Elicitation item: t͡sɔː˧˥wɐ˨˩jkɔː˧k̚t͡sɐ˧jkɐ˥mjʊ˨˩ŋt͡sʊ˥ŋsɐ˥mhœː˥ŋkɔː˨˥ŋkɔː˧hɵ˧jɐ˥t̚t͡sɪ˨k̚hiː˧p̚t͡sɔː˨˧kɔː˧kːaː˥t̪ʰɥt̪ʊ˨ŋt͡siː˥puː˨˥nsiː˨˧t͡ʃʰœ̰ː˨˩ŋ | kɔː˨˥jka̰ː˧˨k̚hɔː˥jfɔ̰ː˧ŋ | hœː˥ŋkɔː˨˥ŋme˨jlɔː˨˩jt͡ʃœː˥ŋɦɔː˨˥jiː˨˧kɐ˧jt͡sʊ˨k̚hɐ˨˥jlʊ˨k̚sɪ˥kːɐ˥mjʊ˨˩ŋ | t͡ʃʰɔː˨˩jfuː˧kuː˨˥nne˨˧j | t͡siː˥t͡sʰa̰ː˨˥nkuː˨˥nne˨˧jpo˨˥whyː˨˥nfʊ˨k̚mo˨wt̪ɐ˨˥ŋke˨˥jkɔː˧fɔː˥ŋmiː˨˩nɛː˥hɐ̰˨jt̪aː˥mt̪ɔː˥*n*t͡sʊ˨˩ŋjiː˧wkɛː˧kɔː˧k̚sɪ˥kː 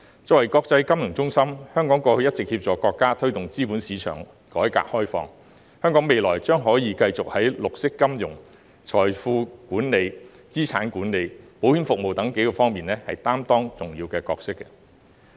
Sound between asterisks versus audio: incorrect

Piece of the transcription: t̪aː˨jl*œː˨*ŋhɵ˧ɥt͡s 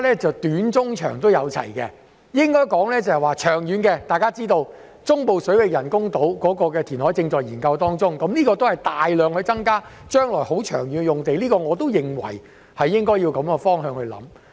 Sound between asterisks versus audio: correct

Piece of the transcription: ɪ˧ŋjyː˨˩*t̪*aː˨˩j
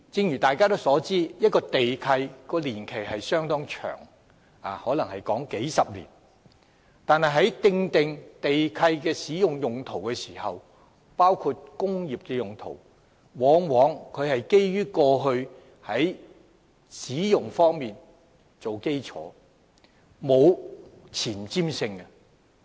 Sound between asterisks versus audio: correct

